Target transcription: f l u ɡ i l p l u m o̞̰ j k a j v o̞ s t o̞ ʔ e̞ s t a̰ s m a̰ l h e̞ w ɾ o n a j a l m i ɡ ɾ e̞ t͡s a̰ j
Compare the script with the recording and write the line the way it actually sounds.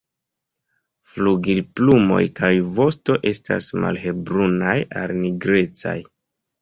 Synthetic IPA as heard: f l u ɡ i l p l u m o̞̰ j k a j v o̞ s t o̞ ʔ e̞ s t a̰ s m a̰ l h e̞ b ɾ u n a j a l n i ɡ ɾ e̞ t͡s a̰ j